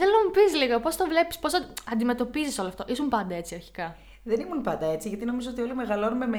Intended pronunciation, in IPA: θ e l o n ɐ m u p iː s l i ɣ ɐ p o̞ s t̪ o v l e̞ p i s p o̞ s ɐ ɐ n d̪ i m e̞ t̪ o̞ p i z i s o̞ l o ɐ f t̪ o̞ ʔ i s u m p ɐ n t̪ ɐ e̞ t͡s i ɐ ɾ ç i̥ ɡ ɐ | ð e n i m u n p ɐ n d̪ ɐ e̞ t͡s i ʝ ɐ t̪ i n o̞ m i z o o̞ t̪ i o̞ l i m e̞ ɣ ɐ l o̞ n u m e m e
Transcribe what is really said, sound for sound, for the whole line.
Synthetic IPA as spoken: θ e l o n ɐ m u p i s l i ɣ ɐ p o̞ s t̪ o v l e̞ p i s p o̞ s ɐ ɐ n d̪ i m e̞ t̪ o̞ p i z i s o̞ l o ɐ f t̪ o̞ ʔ i s u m p ɐ n d̪ ɐ e̞ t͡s i ɐ ɾ ç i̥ k ɐ | ð e n i m u n p ɐ n d̪ ɐ e̞ t͡s i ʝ ɐ t̪ i n o̞ m i z o o̞ t̪ i o̞ l i m e̞ ɣ ɐ l o̞ n u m e m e